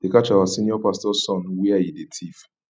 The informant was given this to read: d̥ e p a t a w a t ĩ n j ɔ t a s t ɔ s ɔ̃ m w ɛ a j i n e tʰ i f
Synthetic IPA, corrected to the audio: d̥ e k a t͡ʃ a w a s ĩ n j ɔ p a s t ɔ s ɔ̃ n w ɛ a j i d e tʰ i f